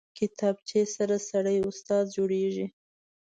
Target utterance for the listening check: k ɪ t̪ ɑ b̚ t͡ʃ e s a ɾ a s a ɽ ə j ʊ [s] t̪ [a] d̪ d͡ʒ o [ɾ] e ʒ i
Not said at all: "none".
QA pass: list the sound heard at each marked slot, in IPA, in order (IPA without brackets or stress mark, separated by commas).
s, ɑ, ɽ